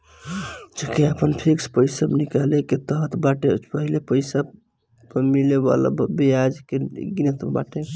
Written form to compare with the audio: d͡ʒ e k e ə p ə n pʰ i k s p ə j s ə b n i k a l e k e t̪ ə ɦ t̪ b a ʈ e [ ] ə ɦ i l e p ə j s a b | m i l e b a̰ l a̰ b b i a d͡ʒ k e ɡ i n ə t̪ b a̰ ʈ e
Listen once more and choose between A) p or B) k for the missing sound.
A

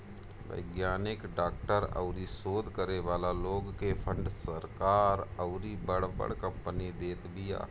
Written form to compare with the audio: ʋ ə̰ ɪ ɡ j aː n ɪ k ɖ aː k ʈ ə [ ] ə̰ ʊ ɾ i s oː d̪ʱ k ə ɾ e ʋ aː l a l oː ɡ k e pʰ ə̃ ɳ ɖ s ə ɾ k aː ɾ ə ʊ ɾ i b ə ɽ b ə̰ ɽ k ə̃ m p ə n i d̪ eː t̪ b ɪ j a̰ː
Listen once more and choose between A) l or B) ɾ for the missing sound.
B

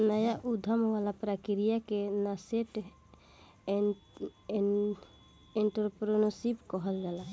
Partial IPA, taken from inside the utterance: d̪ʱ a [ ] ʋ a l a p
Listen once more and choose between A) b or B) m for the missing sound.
B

